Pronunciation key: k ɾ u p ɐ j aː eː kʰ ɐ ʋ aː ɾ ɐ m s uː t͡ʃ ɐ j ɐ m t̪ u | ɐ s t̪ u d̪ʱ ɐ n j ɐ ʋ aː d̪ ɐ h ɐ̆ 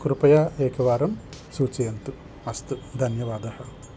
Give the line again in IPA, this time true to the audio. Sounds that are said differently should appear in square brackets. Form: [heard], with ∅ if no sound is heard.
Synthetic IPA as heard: k ɾ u p ɐ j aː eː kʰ ɐ ʋ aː ɾ ɐ m s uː t͡ʃ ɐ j ɐ [n] t̪ u | ɐ s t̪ u d̪ʱ ɐ n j ɐ ʋ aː d̪ ɐ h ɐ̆